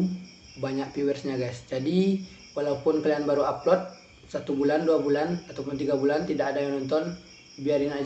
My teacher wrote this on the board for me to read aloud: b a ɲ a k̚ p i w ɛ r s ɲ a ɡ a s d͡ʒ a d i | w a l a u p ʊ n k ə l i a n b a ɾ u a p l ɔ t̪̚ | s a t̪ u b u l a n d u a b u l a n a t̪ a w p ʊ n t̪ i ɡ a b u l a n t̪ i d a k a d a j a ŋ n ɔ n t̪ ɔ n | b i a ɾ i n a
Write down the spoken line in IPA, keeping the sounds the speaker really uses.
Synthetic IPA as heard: b a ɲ a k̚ p i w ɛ r s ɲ a ɡ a s d͡ʒ a d i | w a l a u p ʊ n k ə l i a n b a ɾ u a p l ɔ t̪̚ | s a t̪ u b u l a n d u a b u l a n a t̪ a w p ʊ n t̪ i ɡ a b u l a n t̪ i d a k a d a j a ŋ n ɔ n t̪ ɔ n | b i a ɾ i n a